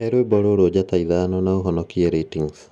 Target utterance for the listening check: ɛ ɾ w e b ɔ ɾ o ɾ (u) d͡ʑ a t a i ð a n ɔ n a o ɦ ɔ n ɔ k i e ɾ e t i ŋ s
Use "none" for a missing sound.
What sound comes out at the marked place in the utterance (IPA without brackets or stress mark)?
o